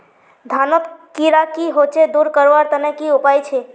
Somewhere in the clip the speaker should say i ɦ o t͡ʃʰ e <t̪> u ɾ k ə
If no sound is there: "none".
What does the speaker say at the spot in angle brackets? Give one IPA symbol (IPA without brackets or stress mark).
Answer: d̪